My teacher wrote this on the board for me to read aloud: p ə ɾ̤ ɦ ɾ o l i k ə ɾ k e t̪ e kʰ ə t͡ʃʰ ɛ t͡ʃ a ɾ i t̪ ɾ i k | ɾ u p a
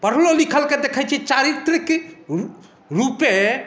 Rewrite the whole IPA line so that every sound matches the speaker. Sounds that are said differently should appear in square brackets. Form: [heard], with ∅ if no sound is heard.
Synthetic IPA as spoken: p ə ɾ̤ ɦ [l] o l i [kʰ] ə [l] k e [d̪] e kʰ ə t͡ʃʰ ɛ t͡ʃ a ɾ i t̪ ɾ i k | ɾ u p [e]